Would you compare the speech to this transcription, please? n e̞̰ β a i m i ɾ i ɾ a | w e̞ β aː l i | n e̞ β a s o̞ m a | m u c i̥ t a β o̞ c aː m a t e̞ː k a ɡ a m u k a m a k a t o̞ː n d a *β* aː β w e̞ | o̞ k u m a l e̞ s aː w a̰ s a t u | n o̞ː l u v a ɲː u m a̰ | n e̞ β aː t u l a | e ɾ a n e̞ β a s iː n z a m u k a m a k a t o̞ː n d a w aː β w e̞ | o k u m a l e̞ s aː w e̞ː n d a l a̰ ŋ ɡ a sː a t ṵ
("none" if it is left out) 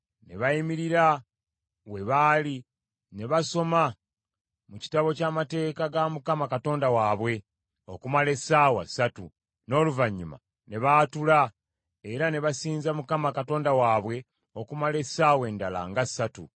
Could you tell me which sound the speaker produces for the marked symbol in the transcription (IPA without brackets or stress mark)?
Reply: w